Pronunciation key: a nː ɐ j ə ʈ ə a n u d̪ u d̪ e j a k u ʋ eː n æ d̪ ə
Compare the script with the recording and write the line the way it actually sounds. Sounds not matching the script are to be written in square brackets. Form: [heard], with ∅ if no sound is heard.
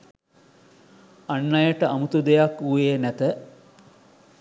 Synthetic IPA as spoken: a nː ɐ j ə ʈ ə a [m] u [t̪] u d̪ e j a k u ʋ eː n æ [t̪] ə